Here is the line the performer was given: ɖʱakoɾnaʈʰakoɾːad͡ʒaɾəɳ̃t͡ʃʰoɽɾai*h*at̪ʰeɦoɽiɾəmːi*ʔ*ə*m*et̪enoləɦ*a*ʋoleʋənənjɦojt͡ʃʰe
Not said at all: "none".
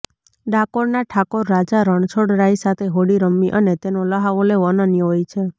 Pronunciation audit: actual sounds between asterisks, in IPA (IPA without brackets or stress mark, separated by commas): s, ʔ, n, a